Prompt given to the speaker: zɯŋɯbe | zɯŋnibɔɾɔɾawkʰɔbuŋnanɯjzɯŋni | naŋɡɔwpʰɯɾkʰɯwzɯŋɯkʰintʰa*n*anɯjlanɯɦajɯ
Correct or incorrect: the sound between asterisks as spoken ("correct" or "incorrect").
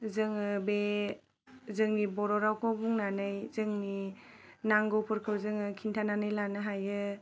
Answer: correct